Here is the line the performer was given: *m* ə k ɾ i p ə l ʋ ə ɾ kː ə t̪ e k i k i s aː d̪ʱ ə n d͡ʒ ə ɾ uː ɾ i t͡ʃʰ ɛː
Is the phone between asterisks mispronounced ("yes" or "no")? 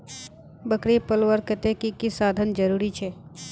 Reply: yes